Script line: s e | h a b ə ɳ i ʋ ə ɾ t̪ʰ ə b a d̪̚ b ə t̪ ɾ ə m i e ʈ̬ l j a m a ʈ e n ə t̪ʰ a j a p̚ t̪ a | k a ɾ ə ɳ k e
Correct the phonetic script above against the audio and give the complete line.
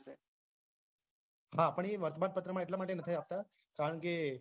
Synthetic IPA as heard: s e | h a p ə ɳ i ʋ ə ɾ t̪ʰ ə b a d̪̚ p ə t̪ ɾ ə m a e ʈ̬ l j a m a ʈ e n ə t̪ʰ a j a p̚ t̪ a | k a ɾ ə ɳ k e